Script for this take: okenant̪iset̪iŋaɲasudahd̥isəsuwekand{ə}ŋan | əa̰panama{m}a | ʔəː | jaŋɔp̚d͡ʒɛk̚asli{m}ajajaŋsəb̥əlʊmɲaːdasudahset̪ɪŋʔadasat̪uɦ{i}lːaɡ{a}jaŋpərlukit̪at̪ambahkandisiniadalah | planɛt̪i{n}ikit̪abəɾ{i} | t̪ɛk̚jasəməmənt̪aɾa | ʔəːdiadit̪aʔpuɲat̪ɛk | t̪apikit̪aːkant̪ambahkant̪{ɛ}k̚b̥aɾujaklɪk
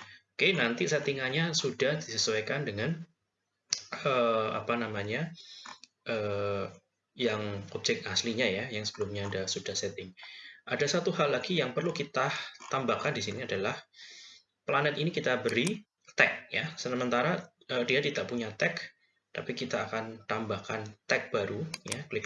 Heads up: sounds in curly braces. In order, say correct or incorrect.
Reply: correct, incorrect: ɲ, incorrect: ɲ, incorrect: a, incorrect: i, correct, correct, correct

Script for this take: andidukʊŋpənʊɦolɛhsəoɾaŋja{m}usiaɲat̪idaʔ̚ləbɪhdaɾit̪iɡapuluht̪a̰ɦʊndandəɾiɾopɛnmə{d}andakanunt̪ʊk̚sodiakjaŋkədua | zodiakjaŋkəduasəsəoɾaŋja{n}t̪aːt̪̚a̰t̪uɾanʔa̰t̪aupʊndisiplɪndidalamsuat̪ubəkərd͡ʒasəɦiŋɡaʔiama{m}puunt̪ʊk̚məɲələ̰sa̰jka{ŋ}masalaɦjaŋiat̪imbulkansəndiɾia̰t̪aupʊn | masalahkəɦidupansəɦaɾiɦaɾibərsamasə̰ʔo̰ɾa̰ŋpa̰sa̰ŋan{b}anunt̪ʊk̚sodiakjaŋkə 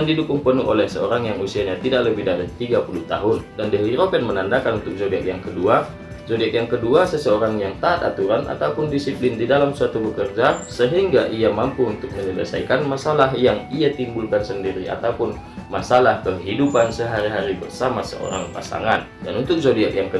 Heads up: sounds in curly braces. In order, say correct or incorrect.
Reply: incorrect: ŋ, incorrect: n, incorrect: ŋ, correct, incorrect: n, incorrect: d

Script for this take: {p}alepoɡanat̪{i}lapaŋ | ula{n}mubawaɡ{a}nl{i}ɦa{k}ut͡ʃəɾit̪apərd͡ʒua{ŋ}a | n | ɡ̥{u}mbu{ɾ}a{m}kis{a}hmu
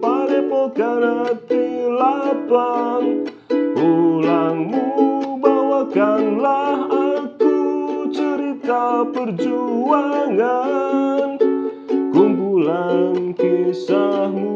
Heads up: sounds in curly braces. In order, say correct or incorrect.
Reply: correct, correct, incorrect: ŋ, correct, incorrect: a, correct, correct, correct, incorrect: l, incorrect: n, correct

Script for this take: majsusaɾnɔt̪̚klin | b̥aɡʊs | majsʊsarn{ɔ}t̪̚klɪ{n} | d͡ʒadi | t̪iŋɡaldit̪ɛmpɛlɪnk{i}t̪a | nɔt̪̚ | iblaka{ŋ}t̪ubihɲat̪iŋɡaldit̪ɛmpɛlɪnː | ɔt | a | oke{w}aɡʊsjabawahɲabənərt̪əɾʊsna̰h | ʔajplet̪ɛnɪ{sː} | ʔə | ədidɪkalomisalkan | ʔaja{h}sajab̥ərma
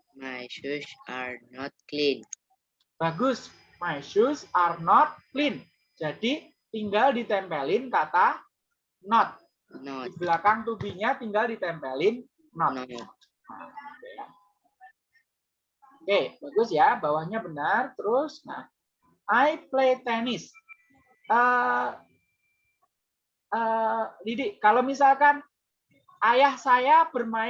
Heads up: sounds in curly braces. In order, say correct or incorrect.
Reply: correct, correct, incorrect: a, correct, incorrect: b, incorrect: s, correct

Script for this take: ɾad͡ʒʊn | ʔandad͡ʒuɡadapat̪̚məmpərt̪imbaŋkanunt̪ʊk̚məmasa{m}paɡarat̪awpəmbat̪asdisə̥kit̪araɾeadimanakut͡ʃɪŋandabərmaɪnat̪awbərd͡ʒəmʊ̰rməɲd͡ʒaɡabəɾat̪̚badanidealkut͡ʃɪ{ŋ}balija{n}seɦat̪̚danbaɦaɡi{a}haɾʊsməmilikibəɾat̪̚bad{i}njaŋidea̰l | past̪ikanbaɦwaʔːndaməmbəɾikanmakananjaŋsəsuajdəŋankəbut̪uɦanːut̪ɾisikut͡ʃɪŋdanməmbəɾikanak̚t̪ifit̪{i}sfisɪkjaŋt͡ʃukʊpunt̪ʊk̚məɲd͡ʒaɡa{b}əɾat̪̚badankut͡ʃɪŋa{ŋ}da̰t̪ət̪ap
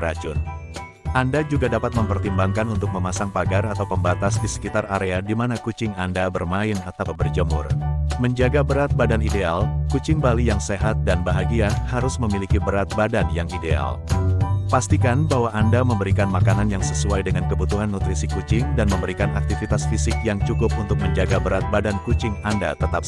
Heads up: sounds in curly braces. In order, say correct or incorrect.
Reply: incorrect: ŋ, correct, incorrect: ŋ, correct, incorrect: a, incorrect: a, correct, incorrect: n

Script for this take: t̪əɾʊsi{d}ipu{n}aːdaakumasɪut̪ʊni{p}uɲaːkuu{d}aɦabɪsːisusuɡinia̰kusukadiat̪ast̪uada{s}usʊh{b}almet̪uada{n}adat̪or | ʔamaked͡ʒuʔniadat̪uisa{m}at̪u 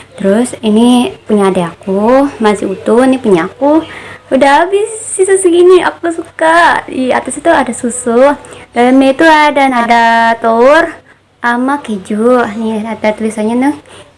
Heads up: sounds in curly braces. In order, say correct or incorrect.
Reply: incorrect: n, incorrect: ɲ, correct, correct, correct, incorrect: d, correct, incorrect: ɲ

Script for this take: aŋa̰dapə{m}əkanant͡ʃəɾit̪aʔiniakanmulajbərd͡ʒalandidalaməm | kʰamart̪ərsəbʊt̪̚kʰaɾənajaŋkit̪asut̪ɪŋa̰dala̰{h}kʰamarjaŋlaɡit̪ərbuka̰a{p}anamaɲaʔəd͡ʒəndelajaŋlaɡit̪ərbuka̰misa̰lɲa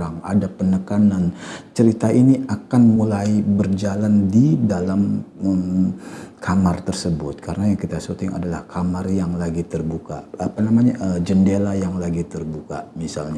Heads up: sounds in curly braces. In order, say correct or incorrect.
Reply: incorrect: n, correct, correct

